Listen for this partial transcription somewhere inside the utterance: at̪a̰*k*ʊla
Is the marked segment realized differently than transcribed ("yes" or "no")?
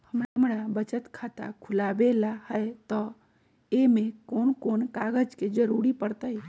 yes